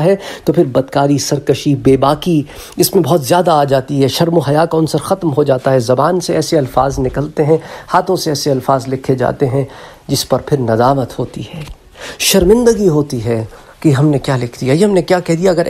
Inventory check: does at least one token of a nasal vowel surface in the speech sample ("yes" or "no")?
yes